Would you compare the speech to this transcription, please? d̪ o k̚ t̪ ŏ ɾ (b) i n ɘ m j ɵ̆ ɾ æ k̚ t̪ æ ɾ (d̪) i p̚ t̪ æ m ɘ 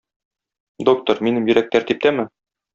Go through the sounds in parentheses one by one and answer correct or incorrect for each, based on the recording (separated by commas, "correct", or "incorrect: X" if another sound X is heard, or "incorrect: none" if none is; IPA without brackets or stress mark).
incorrect: m, incorrect: t̪